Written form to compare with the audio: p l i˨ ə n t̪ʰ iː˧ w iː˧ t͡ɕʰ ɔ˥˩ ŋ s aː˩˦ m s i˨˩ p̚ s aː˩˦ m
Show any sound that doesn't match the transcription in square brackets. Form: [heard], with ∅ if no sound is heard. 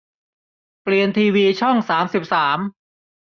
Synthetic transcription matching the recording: p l i˨ ə n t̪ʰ iː˧ w iː˧ t͡ɕʰ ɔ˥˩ ŋ s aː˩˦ m s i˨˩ p̚ s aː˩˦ m